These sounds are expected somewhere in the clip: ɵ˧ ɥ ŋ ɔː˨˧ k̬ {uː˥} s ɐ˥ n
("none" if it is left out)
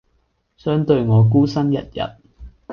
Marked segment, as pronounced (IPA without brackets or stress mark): uː˥